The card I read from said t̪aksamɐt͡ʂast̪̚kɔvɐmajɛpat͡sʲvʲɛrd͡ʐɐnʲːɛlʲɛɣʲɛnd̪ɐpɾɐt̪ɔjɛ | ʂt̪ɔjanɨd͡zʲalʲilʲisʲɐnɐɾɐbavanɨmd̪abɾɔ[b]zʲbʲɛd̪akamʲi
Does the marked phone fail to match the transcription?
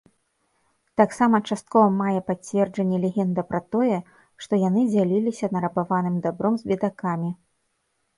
yes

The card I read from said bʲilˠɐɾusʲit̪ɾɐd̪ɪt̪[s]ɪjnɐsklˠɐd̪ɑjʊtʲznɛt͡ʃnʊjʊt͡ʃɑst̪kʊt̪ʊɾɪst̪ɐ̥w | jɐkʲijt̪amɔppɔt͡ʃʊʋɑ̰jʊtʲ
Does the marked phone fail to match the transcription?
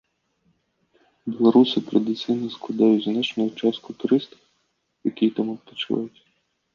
no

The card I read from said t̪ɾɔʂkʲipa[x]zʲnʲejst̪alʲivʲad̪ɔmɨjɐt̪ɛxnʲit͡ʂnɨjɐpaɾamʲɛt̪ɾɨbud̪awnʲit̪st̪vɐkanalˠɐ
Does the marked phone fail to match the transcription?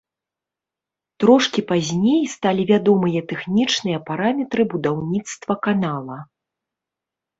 yes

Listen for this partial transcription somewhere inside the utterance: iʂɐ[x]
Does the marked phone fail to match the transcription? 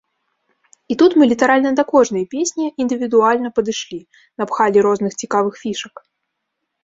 yes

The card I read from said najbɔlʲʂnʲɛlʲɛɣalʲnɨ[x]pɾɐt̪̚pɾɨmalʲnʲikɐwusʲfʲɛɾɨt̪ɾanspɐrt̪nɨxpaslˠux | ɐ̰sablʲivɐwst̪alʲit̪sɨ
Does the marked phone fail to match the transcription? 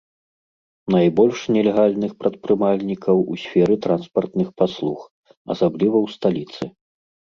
no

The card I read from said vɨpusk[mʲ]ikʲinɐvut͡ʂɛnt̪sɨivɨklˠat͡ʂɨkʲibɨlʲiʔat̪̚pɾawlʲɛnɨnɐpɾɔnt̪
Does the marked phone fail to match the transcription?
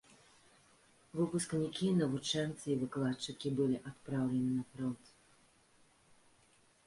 yes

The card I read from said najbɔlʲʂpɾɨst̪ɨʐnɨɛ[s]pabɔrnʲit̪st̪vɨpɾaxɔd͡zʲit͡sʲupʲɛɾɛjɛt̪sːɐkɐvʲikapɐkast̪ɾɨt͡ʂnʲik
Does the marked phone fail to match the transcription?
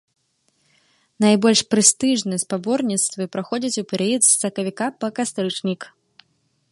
no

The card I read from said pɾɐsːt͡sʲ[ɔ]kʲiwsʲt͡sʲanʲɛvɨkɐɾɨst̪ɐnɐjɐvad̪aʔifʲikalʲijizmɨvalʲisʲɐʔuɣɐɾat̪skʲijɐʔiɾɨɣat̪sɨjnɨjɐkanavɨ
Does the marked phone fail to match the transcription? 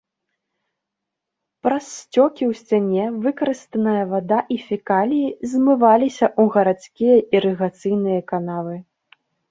no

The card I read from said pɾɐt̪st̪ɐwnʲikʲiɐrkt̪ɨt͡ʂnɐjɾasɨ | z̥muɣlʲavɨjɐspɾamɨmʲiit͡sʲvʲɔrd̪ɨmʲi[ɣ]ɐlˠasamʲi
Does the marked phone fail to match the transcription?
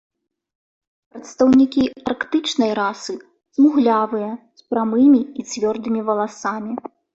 yes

